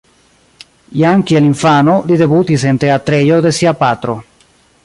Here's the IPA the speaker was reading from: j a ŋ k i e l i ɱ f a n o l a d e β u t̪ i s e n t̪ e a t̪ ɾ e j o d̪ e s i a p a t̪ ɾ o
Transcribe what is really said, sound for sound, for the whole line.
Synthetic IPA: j a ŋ k i e l i ɱ f a n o l i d e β u t̪ i s e n t̪ e a t̪ ɾ e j o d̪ e s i a p a t̪ ɾ o